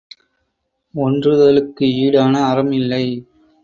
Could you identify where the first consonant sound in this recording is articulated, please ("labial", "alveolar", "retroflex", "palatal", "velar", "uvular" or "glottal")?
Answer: alveolar